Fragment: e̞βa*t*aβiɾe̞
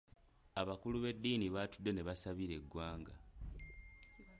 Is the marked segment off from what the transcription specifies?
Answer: yes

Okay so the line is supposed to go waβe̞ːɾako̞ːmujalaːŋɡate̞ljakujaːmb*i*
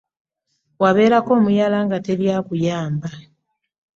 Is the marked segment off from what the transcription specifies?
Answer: yes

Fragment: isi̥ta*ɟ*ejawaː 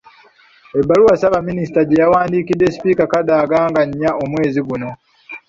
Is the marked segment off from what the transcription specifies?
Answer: no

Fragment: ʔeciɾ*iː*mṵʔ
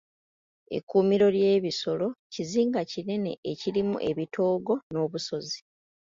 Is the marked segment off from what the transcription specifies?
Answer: yes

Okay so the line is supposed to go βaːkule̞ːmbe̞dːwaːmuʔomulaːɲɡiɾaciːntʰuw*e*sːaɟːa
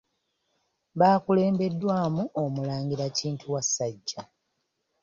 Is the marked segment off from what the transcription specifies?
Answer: yes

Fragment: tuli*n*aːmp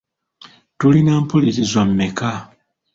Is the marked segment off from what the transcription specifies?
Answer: no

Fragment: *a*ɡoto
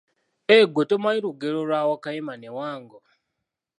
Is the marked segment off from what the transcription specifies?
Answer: yes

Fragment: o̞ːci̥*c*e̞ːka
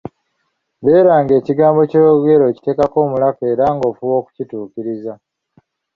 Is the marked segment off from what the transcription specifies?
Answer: yes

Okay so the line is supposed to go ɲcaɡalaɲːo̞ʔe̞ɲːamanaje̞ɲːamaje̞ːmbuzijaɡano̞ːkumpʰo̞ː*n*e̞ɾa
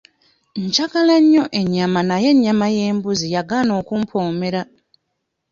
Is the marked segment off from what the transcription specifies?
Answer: yes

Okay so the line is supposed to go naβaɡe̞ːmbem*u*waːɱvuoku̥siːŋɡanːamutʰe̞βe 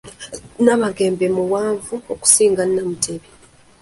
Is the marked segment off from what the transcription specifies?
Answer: no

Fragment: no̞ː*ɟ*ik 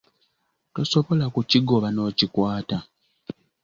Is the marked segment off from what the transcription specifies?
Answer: yes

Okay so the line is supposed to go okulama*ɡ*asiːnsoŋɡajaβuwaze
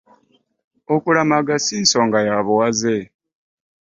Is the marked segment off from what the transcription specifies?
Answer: no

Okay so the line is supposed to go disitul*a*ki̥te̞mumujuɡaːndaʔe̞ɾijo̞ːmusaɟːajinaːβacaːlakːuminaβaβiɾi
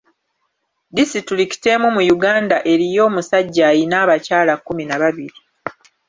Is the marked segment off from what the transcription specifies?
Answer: yes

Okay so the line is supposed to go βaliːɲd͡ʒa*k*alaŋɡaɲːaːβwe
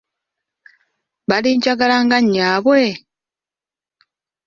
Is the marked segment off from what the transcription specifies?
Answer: yes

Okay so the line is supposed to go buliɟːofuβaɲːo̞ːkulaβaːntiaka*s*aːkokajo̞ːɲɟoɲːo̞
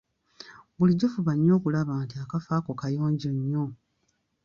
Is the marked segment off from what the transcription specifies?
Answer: yes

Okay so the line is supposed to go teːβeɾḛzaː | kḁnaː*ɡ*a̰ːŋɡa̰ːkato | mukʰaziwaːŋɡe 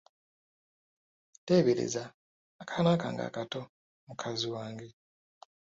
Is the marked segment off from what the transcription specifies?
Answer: yes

